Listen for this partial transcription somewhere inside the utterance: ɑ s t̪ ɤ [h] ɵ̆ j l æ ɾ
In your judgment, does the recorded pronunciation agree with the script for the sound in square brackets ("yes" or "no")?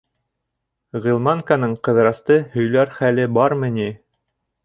yes